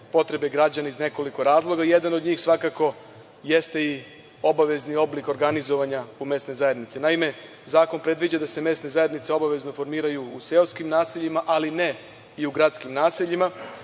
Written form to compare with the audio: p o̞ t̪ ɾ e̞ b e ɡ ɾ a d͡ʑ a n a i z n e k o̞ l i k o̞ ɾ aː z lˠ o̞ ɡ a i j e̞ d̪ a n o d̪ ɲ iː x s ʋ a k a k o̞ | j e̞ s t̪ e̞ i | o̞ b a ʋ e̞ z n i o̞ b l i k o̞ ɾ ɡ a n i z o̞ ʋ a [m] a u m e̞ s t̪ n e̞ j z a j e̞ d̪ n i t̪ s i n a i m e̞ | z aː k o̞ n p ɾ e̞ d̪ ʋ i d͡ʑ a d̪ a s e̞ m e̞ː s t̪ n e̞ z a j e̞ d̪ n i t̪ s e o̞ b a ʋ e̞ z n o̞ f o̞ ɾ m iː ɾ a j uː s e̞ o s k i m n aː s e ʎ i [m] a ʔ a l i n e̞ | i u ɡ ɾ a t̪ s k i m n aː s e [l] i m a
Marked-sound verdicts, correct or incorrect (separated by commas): incorrect, correct, incorrect